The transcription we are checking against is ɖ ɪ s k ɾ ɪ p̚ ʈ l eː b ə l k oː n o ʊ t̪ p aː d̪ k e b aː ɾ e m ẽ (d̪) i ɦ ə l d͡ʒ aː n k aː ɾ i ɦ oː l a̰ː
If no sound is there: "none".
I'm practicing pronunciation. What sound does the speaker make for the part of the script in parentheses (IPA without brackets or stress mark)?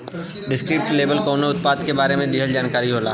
d̪